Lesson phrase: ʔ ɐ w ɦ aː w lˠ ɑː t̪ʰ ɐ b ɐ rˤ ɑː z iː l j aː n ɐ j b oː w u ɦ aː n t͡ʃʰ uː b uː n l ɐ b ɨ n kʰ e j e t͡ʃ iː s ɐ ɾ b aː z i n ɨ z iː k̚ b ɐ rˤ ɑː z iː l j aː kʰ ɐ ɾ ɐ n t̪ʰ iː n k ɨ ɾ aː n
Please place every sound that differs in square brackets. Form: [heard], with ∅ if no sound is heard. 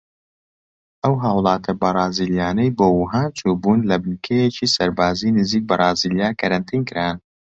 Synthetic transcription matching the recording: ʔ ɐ w ɦ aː w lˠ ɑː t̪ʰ ɐ b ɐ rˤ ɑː z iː l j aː n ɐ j b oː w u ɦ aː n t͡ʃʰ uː b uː n l ɐ b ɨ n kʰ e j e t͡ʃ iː s ɐ ɾ b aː z i n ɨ z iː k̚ b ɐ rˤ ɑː z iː l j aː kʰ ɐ ɾ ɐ n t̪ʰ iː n k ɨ ɾ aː n